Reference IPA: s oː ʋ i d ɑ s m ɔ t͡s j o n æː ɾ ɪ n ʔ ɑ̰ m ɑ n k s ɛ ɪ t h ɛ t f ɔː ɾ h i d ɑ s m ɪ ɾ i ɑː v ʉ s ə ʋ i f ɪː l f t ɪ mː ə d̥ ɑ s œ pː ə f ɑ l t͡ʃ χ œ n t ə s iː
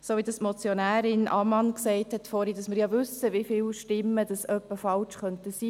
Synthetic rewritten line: s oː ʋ i d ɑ s m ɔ t͡s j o n æː ɾ ɪ n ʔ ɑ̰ m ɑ n k s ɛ ɪ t h ɛ t f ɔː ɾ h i d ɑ s m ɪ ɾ j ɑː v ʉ s ə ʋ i f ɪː l ʃ t ɪ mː ə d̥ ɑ s œ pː ə f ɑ l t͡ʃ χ œ n t ə s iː